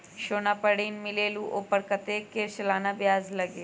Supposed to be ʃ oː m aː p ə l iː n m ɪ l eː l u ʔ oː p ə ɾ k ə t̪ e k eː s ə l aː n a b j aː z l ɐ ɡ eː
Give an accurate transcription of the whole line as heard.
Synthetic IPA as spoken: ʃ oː n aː p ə ɽ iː n m ɪ l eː l u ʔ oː p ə ɾ k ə t̪ e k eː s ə l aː n a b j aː z l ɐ ɡ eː